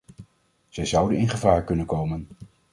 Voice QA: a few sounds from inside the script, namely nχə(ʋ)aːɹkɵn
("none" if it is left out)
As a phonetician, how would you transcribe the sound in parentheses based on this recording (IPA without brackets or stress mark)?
v